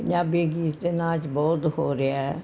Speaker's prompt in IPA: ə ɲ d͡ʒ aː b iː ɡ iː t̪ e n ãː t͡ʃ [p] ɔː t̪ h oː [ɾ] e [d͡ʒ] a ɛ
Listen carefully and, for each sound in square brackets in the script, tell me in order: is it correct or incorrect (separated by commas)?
incorrect, correct, incorrect